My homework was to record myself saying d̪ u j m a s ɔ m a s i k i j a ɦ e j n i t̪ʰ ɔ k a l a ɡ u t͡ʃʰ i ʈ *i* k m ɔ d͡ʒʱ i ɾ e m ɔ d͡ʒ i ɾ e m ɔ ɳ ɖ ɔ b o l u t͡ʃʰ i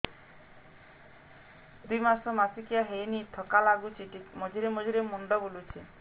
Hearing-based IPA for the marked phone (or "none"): i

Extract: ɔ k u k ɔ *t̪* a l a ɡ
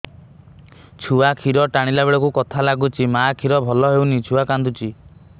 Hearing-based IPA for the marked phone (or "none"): t̪ʰ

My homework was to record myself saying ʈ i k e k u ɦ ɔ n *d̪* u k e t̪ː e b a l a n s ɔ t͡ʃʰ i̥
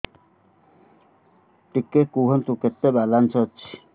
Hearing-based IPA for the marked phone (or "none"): t̪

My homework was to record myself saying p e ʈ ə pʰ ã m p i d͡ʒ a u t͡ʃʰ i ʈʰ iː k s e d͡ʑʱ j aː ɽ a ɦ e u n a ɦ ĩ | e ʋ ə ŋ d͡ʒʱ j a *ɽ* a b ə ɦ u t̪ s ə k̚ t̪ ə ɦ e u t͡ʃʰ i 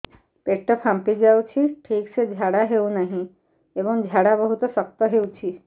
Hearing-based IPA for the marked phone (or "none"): ɽ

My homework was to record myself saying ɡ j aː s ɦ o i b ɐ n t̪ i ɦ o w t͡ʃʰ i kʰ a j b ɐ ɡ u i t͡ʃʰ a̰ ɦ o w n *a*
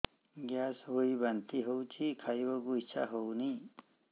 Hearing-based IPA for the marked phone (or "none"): i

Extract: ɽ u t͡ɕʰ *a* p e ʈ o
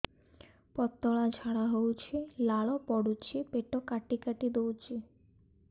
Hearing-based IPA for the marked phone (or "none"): i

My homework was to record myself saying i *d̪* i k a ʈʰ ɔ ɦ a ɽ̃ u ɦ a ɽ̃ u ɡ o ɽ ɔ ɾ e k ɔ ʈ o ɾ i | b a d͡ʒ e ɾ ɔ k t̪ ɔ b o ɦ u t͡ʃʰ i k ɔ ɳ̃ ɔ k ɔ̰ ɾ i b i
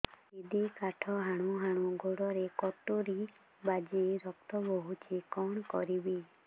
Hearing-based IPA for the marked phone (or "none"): d̪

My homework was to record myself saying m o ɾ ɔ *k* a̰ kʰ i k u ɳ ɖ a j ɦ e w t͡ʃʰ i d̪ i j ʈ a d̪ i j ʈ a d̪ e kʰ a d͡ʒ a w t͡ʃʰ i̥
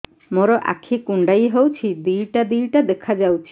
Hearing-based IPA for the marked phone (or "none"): ʔ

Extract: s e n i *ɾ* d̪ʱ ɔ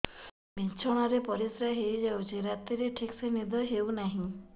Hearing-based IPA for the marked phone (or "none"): none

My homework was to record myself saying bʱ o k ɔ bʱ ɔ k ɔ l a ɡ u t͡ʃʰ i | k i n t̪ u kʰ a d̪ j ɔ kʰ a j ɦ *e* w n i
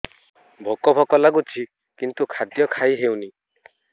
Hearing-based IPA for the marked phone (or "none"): e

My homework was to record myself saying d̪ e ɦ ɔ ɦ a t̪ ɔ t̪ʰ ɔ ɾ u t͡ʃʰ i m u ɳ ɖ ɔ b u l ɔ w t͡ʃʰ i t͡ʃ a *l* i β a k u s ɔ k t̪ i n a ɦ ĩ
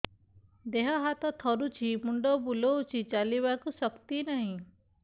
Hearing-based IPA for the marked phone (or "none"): l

